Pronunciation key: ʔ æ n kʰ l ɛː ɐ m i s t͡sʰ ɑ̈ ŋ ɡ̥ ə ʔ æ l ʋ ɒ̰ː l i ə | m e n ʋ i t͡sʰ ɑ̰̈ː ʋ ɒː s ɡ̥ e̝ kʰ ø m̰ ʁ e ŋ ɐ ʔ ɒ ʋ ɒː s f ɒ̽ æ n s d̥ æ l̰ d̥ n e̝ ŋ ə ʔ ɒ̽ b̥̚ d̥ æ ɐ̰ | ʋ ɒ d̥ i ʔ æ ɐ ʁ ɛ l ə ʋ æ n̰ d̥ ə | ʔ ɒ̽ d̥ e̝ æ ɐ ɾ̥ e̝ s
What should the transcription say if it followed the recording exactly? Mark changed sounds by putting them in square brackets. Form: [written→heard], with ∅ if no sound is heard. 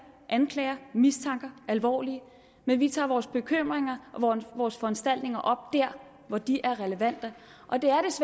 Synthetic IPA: ʔ æ n kʰ l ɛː ɐ m i s t͡sʰ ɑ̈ ŋ ɡ̥ [ə→ɐ] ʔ æ l ʋ ɒ̰ː l i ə | m e n ʋ i t͡sʰ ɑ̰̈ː ʋ ɒː s [ɡ̥→b̥] e̝ kʰ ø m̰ ʁ e ŋ ɐ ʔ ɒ ʋ ɒː s f ɒ̽ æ n s d̥ æ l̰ d̥ n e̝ ŋ [ə→ɐ] ʔ ɒ̽ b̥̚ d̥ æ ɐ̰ | ʋ ɒ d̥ i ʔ æ ɐ ʁ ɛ l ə ʋ æ n̰ d̥ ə | ʔ ɒ̽ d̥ e̝ æ ɐ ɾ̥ e̝ s